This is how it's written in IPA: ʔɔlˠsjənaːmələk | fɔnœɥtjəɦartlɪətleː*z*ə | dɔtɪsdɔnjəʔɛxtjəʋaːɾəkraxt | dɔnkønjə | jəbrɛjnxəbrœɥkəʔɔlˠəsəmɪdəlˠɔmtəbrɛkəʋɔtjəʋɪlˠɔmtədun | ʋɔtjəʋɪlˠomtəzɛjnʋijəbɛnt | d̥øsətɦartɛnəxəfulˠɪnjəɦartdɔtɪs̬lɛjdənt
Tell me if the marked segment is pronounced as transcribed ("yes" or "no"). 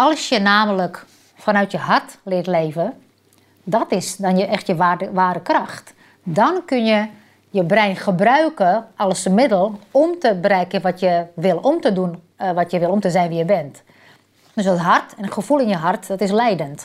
no